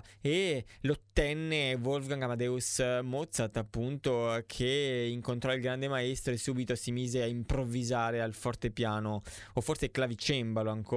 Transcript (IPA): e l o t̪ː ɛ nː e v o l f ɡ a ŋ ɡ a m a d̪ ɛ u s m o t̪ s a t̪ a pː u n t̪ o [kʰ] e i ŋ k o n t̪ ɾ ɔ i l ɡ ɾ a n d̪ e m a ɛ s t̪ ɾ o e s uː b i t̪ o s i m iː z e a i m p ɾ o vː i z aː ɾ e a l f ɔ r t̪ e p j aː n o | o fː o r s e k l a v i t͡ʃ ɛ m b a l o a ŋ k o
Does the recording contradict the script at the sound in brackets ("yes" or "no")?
no